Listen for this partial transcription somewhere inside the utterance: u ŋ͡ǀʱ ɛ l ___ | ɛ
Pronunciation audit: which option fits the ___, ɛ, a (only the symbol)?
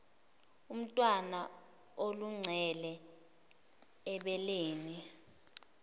ɛ